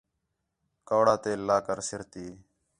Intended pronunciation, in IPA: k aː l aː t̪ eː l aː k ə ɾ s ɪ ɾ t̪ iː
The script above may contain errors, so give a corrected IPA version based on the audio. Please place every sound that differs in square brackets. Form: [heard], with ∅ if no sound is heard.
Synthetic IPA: k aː [ɽ] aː t̪ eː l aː k ə ɾ s ɪ ɾ t̪ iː